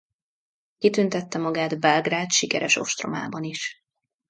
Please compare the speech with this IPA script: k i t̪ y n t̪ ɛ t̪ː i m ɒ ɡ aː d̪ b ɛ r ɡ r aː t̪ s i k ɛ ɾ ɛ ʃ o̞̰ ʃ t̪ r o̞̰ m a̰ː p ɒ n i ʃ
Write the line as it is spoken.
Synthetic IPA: k i t̪ y n t̪ ɛ t̪ː ɛ m ɒ ɡ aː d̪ b ɛ l ɡ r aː t̪ ʃ i k ɛ ɾ ɛ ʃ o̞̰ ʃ t̪ r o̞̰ m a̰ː b ɒ n i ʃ